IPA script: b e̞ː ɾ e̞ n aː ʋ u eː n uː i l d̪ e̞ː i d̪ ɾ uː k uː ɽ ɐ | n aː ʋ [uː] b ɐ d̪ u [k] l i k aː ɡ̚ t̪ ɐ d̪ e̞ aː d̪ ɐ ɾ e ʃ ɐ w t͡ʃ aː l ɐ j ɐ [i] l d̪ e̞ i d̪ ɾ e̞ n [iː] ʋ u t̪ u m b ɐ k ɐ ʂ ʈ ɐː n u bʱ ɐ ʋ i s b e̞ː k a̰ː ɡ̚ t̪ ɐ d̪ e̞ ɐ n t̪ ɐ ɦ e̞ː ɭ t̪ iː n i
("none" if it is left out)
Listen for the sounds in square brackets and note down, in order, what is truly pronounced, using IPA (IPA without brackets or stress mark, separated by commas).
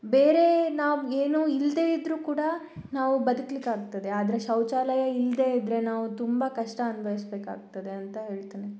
u, k, i, aː